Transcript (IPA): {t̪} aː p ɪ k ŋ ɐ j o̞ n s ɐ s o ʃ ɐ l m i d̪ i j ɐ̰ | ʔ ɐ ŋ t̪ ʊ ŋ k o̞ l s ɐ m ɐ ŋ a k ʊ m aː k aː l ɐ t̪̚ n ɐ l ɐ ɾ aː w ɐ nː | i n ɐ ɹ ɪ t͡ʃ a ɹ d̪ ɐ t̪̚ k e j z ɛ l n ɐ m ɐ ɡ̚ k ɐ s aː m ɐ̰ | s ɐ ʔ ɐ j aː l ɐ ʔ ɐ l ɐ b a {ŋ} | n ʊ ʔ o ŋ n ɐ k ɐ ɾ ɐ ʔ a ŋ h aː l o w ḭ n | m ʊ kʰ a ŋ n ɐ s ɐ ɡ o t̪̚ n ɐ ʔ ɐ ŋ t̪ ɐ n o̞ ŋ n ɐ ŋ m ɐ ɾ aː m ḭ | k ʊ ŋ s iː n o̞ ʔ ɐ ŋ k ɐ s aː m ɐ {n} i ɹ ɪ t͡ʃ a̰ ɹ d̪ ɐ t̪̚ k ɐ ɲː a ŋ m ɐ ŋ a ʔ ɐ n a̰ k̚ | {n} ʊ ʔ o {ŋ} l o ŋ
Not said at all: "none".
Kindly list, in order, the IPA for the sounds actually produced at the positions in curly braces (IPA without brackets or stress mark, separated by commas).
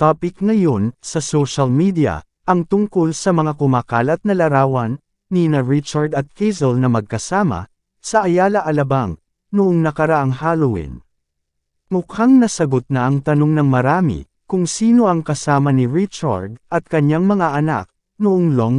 t̪, ŋ, n, n, ŋ